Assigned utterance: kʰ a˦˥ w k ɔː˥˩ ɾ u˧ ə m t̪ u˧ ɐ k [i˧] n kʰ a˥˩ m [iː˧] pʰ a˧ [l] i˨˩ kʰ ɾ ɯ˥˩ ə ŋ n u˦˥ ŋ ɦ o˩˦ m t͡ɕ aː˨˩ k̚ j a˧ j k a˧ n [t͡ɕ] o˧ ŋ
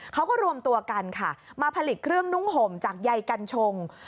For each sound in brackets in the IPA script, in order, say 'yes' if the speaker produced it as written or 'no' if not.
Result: no, no, yes, no

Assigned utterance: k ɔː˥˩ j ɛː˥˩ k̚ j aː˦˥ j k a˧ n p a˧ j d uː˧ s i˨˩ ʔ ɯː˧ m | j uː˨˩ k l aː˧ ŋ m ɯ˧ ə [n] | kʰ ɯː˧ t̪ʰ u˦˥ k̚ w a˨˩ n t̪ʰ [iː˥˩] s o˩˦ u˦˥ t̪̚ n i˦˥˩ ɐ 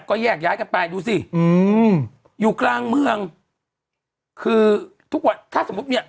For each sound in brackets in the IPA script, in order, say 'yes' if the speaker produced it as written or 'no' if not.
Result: no, no

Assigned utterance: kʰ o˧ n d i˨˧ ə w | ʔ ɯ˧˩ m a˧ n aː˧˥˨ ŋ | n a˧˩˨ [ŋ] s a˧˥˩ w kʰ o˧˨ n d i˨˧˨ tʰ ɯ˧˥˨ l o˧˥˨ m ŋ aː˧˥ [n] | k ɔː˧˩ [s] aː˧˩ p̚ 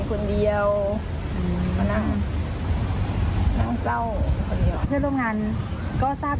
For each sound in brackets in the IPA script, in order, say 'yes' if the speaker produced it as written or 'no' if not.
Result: yes, yes, yes

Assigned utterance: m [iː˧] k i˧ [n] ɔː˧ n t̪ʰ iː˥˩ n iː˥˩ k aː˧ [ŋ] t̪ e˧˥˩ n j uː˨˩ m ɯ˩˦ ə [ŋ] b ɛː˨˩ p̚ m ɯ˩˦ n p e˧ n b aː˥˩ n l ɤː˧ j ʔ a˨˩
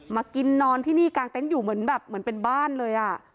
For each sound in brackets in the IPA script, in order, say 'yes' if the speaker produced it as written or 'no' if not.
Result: no, no, yes, no

